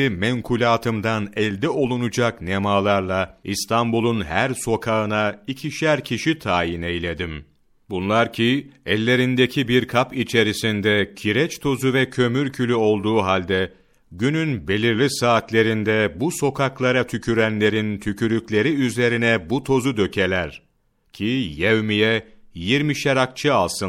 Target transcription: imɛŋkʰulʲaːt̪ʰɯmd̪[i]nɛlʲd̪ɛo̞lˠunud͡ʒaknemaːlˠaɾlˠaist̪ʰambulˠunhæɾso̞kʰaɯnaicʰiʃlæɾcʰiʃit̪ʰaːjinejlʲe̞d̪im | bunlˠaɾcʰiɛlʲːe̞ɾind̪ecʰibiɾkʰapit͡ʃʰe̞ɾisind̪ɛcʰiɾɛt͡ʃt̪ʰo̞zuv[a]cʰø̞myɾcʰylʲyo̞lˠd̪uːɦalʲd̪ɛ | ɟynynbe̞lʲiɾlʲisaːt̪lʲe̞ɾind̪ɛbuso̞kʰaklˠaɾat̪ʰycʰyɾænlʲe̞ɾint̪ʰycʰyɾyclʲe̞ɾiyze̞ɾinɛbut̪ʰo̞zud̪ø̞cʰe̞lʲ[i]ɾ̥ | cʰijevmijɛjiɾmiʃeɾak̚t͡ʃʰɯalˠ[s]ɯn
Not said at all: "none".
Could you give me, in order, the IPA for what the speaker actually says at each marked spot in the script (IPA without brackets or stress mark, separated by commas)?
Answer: a, ɛ, æ, s